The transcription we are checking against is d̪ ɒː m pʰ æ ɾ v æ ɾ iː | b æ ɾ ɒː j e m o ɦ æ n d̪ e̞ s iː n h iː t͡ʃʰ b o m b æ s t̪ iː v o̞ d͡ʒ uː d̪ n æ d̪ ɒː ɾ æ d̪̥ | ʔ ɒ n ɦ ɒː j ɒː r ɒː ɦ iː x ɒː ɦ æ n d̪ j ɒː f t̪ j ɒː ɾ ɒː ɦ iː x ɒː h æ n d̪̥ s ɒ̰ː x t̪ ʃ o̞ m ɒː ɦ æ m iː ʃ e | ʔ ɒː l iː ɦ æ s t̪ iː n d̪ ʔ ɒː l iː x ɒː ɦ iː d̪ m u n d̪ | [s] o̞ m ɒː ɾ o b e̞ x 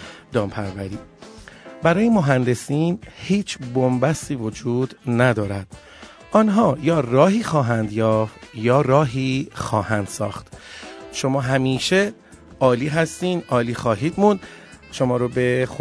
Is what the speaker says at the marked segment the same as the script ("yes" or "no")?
no